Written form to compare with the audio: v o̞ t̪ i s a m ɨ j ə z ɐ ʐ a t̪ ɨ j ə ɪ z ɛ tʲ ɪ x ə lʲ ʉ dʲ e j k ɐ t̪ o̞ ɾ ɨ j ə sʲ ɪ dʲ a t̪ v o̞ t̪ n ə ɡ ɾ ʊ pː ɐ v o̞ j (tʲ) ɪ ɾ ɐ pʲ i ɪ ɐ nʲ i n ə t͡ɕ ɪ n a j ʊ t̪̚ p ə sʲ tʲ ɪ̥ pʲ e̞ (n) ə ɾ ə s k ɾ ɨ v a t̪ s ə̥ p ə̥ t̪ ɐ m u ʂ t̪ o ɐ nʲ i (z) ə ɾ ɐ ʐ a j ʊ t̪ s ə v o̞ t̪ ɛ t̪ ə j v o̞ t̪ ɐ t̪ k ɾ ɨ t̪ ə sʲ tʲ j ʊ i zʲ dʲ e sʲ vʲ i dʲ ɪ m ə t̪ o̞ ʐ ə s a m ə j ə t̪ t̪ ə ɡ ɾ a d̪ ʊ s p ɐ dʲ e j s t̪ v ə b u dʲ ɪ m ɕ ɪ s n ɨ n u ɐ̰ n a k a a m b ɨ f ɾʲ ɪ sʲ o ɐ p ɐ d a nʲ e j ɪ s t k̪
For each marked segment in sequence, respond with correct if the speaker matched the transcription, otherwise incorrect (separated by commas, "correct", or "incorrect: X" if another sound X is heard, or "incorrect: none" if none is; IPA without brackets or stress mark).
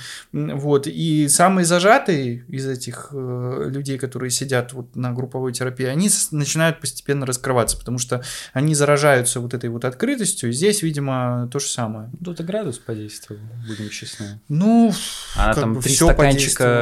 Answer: correct, incorrect: nː, correct